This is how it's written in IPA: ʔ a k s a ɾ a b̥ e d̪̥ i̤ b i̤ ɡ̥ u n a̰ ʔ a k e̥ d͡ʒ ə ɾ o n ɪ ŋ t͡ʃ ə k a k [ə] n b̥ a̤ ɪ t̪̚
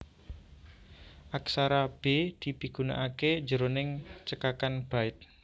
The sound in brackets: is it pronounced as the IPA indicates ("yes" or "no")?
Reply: no